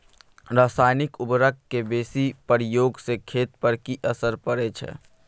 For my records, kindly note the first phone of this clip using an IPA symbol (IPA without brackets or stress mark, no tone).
ɾ